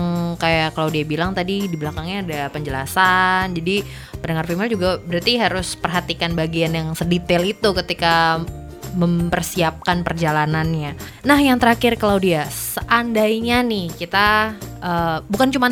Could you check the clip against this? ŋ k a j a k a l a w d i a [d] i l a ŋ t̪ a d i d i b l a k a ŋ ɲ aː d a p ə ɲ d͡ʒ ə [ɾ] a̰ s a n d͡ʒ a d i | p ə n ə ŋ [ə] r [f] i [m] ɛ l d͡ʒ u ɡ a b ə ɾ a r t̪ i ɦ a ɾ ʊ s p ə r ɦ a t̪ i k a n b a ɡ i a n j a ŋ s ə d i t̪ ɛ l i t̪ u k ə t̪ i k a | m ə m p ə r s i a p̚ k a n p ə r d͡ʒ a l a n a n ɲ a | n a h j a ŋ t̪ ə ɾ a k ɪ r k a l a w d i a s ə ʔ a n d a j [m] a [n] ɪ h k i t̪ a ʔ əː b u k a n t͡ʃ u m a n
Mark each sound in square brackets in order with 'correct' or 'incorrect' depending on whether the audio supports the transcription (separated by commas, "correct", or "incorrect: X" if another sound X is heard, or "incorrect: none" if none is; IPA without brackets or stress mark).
incorrect: b, incorrect: l, incorrect: a, correct, correct, incorrect: ɲ, correct